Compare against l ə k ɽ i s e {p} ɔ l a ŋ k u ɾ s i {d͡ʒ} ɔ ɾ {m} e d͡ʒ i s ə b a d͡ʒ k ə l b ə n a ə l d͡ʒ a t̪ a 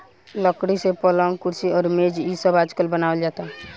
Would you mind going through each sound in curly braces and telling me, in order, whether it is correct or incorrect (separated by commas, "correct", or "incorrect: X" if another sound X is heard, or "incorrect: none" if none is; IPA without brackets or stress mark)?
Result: correct, incorrect: none, correct